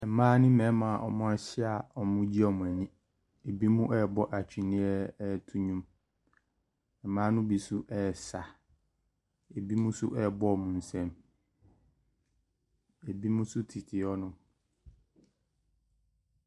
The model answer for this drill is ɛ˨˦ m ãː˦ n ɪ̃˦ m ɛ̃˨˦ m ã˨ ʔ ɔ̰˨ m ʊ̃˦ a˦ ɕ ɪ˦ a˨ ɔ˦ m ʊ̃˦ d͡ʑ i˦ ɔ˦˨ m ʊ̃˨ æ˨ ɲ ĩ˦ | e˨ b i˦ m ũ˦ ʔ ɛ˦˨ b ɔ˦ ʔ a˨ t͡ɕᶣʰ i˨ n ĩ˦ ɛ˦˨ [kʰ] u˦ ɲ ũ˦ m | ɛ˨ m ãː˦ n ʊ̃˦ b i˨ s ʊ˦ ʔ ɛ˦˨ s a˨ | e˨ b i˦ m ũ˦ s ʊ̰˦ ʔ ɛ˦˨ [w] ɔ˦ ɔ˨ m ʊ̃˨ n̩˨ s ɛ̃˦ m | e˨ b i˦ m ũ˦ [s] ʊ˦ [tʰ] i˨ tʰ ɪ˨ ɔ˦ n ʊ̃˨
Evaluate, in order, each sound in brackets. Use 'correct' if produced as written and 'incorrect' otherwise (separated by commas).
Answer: incorrect, incorrect, correct, correct